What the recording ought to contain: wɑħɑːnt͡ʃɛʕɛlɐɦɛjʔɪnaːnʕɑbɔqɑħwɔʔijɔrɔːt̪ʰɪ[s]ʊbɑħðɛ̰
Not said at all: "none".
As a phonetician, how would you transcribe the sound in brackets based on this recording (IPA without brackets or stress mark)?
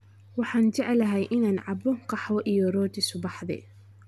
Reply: s